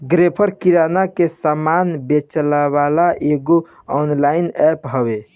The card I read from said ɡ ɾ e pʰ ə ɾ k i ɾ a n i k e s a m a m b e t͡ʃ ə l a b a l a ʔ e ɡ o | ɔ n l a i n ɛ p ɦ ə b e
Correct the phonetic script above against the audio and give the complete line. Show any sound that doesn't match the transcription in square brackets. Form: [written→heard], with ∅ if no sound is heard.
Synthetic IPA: ɡ ɾ e pʰ ə ɾ k i ɾ a n [i→a] k e s a m a [m→n] b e t͡ʃ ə l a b a l a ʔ e ɡ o | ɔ n l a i n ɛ p ɦ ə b e

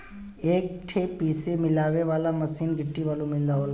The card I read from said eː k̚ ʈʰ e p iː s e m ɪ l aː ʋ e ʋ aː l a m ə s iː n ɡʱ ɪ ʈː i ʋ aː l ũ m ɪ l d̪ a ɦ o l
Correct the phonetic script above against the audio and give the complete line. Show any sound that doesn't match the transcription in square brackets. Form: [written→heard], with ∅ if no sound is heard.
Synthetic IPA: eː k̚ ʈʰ e p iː s e m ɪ l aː ʋ e ʋ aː l a m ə s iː n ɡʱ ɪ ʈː i ʋ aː l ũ m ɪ l d̪ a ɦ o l

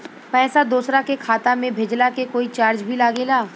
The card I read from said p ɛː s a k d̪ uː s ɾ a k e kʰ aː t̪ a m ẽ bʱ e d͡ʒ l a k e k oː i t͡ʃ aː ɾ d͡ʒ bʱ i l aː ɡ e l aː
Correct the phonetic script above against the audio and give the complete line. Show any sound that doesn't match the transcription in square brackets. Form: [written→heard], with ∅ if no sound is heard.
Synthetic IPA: p ɛː s a [k→∅] d̪ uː s ɾ a k e kʰ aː t̪ a m ẽ bʱ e d͡ʒ l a k e k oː i t͡ʃ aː ɾ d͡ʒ bʱ i l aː ɡ e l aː

